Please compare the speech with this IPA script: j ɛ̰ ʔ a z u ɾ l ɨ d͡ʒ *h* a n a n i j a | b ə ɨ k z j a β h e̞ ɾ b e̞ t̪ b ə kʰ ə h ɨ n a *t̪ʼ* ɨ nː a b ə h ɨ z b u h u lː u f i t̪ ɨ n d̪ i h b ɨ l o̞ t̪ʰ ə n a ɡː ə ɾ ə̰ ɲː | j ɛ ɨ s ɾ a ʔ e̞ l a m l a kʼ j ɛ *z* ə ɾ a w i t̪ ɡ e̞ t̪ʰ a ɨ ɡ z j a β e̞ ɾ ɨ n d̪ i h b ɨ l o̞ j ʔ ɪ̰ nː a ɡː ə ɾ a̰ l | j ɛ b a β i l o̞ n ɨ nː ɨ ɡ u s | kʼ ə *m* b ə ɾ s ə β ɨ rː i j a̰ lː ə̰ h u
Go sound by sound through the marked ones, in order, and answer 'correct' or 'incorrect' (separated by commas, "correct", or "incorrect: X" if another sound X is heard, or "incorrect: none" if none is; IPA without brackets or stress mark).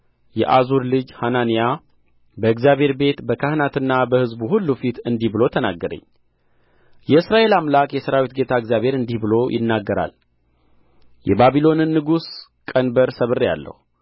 correct, incorrect: t̪, incorrect: s, incorrect: n